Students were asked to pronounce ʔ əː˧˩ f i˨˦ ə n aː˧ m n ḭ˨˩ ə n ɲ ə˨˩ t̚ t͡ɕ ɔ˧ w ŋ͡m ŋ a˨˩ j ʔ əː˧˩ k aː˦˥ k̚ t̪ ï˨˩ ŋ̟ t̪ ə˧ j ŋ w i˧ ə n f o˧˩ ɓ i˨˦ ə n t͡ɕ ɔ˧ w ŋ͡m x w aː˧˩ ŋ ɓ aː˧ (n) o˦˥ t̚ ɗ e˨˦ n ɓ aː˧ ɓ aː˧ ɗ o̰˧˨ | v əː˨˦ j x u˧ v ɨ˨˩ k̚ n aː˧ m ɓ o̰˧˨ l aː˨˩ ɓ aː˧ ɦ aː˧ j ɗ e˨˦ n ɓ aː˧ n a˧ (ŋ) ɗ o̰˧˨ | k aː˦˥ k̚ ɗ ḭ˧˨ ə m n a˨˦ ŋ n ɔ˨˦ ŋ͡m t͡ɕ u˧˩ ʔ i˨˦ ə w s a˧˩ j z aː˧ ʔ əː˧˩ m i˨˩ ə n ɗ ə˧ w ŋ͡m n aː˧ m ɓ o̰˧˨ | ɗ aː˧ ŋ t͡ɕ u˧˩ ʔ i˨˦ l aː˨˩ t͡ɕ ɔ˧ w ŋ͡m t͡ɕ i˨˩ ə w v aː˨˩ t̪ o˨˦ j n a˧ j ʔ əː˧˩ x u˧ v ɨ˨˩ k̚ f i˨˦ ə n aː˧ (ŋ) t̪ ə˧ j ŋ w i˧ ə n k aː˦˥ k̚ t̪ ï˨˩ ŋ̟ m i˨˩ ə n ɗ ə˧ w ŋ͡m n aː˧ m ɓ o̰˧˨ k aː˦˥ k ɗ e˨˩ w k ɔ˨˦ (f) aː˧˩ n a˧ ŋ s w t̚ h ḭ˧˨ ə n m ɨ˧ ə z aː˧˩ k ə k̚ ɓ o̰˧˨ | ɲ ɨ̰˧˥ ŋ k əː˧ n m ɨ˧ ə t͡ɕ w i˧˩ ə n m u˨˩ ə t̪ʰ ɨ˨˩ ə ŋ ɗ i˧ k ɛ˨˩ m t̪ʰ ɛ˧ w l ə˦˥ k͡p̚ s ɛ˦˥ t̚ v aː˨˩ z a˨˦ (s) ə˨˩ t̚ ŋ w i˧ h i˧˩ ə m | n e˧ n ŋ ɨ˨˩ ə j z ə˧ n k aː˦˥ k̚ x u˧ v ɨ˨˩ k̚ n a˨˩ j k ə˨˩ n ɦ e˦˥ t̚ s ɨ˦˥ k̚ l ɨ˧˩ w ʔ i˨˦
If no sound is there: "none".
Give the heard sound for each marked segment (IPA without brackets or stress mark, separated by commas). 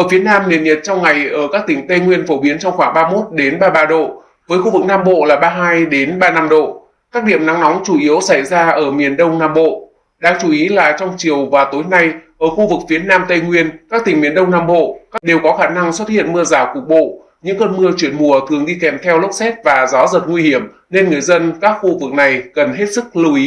m, m, m, x, z